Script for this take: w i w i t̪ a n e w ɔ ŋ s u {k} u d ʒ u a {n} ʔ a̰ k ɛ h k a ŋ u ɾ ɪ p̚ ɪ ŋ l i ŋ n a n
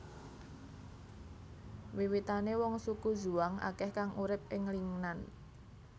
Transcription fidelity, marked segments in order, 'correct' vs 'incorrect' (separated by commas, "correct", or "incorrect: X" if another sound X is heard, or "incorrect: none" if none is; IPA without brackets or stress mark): correct, incorrect: ŋ